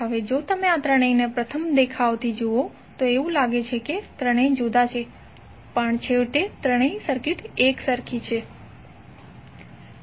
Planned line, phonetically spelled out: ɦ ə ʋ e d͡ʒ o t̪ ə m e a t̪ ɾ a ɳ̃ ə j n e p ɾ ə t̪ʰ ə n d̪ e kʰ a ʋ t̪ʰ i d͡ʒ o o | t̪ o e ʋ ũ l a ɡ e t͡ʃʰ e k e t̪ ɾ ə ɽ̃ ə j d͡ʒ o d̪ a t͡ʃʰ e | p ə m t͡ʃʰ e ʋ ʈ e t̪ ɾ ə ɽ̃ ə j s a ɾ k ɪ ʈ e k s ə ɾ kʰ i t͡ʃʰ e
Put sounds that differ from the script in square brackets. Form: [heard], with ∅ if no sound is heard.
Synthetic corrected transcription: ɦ ə ʋ e d͡ʒ o t̪ ə m e a t̪ ɾ [ə] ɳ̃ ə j n e p ɾ ə t̪ʰ ə [m] d̪ e kʰ a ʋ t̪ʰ i d͡ʒ o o | t̪ o e ʋ ũ l a ɡ e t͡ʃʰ e k e t̪ ɾ ə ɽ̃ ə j d͡ʒ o d̪ a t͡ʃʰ e | p ə [ɳ] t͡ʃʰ e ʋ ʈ e t̪ ɾ ə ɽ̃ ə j s [ə] ɾ k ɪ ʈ e k s ə ɾ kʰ i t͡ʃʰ e